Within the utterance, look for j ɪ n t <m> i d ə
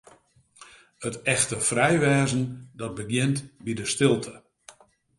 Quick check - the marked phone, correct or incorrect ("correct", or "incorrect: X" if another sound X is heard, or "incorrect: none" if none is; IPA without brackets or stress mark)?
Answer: incorrect: b